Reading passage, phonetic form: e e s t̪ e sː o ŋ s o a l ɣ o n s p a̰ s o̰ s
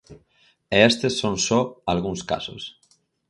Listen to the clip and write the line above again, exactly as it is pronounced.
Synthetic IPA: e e s t̪ e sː o n s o a l ɣ u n s k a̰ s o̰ s